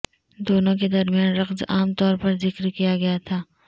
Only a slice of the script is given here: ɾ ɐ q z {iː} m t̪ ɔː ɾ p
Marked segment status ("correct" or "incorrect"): incorrect